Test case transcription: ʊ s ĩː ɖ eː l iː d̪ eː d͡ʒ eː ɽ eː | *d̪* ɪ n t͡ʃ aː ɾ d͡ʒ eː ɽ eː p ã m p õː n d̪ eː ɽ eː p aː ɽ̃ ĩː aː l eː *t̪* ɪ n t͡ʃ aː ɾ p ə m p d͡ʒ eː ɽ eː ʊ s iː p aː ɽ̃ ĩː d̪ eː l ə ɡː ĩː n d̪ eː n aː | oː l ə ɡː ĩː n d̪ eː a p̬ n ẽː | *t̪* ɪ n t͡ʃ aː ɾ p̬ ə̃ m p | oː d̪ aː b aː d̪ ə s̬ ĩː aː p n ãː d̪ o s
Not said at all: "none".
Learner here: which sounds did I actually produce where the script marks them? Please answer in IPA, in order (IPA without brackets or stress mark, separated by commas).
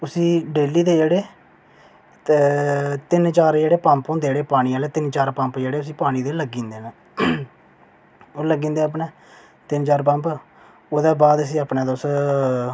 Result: t̪, t̪, t̪